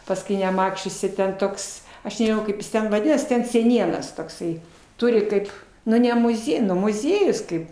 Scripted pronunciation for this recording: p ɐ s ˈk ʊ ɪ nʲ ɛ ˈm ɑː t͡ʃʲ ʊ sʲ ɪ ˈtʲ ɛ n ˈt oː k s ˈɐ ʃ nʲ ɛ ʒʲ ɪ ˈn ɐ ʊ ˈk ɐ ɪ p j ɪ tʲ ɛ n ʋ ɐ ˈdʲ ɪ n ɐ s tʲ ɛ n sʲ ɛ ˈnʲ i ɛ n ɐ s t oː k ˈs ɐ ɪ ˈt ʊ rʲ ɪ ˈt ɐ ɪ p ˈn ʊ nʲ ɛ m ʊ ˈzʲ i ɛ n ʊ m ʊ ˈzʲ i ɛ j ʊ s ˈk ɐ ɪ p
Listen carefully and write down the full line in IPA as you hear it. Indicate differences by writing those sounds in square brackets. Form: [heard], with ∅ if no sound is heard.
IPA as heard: p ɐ s ˈk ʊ ɪ nʲ ɛ ˈm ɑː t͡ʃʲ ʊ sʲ ɪ ˈtʲ ɛ n ˈt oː k s ˈɐ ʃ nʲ ɛ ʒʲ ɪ ˈn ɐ ʊ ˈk ɐ ɪ p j ɪ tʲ ɛ n ʋ ɐ ˈdʲ ɪ n ɐ s tʲ ɛ n sʲ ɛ ˈnʲ i ɛ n ɐ s t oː k ˈs ɐ ɪ ˈt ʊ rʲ ɪ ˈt ɐ ɪ p ˈn ʊ nʲ ɛ m ʊ ˈzʲ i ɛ n ʊ m ʊ ˈzʲ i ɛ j ʊ s ˈk ɐ ɪ p